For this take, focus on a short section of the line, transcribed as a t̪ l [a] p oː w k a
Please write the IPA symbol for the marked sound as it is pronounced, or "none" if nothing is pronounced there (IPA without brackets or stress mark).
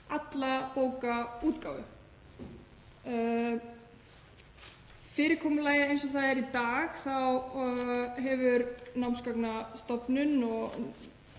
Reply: a